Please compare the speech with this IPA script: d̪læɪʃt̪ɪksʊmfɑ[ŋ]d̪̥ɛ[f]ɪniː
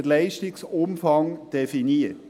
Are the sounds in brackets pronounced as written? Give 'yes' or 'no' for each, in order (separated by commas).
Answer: yes, yes